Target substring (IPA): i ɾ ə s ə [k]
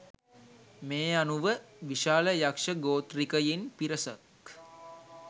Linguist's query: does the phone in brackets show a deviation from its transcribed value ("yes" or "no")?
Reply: no